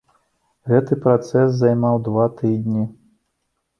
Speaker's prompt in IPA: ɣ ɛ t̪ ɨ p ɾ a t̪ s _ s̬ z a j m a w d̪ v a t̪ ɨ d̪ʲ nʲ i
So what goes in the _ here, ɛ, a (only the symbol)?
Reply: ɛ